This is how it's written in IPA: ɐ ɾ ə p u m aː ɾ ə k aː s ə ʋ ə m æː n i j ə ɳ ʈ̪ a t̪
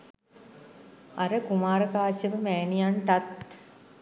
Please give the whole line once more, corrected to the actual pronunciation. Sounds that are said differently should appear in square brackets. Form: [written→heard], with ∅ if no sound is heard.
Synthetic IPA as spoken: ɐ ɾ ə [p→k] u m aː ɾ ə k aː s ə ʋ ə m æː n i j [ə→a] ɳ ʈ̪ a t̪

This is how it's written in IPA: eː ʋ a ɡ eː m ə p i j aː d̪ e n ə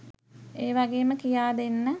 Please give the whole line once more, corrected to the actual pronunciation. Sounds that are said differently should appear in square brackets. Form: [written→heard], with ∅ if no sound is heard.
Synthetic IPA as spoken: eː ʋ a ɡ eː m ə [p→k] i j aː d̪ e [n→nː] ə

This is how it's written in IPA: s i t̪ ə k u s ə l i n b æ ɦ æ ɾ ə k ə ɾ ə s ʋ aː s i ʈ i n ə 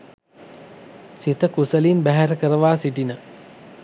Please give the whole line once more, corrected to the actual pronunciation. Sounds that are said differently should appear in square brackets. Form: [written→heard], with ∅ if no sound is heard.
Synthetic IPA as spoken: s i t̪ ə k u s ə l i n b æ ɦ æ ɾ ə k ə ɾ ə [s→∅] ʋ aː s i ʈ i n ə

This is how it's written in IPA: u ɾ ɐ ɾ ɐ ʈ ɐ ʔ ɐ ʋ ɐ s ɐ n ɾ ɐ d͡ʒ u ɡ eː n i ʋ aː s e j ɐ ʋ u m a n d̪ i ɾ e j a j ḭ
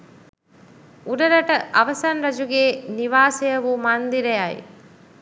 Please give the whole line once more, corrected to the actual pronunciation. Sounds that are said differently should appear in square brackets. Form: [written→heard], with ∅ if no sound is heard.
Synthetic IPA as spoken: u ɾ ɐ ɾ ɐ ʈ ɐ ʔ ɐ ʋ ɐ s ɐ n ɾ ɐ d͡ʒ u ɡ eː n i ʋ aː s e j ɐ ʋ u m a n d̪ i ɾ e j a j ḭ

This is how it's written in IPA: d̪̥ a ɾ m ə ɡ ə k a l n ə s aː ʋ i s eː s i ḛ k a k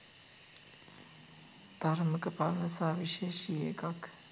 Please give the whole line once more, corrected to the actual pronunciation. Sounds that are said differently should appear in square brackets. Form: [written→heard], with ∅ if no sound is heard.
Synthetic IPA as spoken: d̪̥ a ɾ m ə [ɡ→k] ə [k→p] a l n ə s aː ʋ i [s→ʃ] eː [s→ʃ] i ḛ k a k

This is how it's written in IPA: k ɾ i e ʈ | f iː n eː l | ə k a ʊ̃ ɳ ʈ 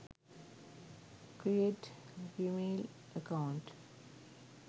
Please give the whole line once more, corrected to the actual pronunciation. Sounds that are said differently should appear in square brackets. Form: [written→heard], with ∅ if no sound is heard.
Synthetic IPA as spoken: k ɾ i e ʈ | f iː [n→m] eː l | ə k a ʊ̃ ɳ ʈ

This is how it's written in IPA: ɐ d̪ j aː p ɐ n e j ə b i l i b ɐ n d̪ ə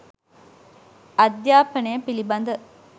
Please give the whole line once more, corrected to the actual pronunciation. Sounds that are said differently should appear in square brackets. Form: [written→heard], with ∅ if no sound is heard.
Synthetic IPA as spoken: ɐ d̪ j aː p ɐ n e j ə [b→p] i l i b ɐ n d̪ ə

